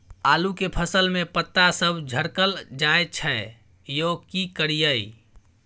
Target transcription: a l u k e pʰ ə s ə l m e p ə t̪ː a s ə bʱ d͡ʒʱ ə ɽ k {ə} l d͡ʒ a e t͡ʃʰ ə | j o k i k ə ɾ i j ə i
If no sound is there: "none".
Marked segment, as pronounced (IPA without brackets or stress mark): ə